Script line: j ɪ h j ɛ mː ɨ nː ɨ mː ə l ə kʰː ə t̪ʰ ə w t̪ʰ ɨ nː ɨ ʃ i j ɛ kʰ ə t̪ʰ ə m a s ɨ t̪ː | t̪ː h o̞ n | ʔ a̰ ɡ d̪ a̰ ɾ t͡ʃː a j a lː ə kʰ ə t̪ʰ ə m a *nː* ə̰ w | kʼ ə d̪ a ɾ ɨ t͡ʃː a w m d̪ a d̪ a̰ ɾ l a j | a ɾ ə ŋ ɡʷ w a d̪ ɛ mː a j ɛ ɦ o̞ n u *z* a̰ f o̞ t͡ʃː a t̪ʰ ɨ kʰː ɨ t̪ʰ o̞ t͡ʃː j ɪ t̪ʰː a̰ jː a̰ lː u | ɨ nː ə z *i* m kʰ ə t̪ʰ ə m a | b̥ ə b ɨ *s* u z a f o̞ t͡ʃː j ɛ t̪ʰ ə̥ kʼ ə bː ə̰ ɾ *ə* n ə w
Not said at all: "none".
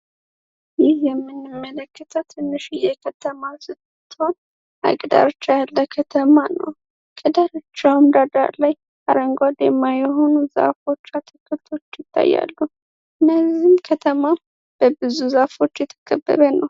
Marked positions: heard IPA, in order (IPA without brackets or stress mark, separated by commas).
n, z, i, z, ə